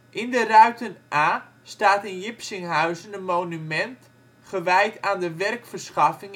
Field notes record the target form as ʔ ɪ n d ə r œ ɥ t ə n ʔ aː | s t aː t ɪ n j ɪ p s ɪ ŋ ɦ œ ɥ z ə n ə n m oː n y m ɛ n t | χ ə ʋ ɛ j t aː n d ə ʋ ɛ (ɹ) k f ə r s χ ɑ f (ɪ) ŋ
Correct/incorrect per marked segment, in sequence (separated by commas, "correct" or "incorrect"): incorrect, correct